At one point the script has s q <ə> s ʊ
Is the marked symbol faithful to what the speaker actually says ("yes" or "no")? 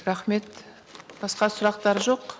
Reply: no